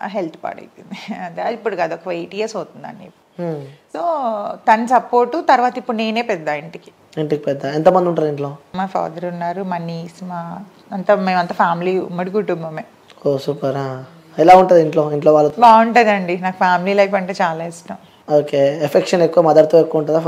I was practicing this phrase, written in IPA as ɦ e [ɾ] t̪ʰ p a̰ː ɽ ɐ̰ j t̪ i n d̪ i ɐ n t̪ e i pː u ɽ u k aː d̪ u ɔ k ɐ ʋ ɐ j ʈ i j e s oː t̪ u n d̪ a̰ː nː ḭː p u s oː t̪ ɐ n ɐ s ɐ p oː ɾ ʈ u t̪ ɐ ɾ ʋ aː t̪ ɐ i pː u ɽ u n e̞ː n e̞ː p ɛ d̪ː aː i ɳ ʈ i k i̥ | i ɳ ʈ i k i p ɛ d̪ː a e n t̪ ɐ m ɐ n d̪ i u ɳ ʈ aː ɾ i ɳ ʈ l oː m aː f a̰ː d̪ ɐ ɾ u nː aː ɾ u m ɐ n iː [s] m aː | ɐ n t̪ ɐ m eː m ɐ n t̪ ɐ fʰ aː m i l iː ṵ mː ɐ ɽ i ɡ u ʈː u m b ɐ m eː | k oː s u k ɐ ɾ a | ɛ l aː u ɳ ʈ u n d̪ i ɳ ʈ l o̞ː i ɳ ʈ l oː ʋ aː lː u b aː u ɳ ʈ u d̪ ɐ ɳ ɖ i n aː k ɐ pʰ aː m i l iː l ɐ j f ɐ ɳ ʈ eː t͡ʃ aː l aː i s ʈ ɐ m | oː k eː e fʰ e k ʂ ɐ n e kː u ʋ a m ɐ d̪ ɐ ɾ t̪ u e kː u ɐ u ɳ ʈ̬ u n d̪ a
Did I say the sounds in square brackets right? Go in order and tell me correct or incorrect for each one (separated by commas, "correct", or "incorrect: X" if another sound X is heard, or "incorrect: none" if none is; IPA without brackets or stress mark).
incorrect: l, correct